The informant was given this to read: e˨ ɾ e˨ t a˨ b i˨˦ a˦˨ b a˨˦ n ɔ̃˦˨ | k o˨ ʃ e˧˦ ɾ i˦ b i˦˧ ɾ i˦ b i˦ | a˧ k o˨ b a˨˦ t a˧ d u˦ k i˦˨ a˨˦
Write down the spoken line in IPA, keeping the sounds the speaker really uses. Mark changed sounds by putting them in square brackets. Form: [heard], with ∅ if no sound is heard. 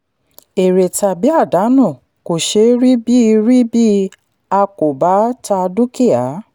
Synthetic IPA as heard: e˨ ɾ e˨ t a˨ b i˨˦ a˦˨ [d] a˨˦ n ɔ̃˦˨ | k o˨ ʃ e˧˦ ɾ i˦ b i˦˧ ɾ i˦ b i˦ | a˧ k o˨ b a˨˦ t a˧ d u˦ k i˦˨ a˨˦